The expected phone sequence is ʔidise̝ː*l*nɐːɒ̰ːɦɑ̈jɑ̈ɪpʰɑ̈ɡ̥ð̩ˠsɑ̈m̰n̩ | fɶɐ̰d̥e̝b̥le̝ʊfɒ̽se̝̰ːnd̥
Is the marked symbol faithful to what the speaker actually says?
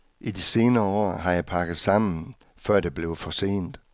no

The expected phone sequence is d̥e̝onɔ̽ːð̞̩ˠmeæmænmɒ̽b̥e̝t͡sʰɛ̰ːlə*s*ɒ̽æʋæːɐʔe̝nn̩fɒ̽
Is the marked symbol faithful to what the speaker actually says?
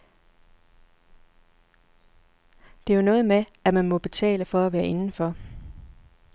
no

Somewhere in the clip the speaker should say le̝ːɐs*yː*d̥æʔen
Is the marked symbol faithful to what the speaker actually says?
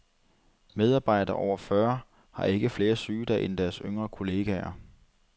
yes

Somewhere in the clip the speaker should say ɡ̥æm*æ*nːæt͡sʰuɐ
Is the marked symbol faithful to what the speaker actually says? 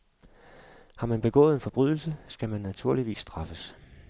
yes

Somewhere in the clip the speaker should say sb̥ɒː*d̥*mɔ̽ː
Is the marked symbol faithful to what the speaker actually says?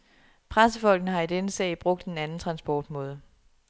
yes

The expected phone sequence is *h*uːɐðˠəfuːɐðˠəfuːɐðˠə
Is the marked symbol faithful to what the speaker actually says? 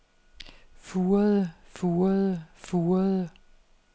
no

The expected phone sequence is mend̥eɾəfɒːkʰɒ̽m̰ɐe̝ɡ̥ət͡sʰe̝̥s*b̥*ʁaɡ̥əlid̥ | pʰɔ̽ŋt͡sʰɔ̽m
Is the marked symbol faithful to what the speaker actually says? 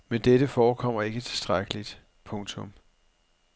no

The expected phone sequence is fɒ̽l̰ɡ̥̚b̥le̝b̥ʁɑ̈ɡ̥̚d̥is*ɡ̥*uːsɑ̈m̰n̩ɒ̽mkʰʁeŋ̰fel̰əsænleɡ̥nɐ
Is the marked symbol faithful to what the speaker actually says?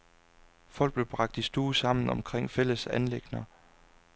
no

